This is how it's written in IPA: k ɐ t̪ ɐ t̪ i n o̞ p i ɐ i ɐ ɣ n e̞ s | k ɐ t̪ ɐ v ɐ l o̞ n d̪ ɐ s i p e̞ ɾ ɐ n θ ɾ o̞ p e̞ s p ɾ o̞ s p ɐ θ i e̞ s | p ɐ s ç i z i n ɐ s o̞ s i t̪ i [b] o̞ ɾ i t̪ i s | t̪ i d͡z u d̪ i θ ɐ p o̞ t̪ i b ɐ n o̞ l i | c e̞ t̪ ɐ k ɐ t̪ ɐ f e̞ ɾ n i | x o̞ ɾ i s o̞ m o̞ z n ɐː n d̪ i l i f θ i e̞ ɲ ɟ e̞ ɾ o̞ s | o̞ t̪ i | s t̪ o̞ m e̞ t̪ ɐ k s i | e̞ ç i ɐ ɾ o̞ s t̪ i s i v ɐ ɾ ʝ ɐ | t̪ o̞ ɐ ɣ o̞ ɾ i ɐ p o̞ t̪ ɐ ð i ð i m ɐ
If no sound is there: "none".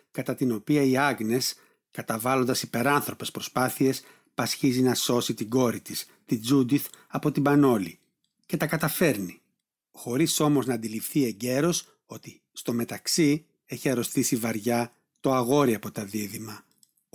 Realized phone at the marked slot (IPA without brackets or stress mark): ɡ